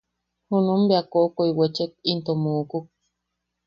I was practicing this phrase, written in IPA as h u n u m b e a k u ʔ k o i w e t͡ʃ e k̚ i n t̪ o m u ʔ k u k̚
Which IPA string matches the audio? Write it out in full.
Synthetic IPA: h u n u m b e a k o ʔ k o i w e t͡ʃ e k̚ i n t̪ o m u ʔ k u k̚